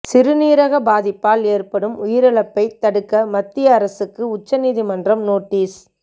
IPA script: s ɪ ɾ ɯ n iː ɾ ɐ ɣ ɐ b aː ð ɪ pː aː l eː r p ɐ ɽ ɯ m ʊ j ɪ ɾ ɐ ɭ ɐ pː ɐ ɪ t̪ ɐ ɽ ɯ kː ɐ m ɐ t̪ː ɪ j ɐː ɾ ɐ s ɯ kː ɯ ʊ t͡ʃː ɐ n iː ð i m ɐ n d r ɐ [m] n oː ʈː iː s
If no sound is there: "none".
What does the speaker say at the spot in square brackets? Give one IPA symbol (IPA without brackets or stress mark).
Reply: m